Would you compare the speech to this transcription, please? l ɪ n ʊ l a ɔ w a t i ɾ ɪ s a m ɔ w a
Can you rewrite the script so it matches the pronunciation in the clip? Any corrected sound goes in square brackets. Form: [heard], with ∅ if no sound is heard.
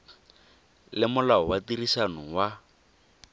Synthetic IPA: l ɪ [m] ʊ l a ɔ w a t i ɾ [i] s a [n] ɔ w a